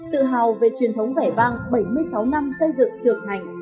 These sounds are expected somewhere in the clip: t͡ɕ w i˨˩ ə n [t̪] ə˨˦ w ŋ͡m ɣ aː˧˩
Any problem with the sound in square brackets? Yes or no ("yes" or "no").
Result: yes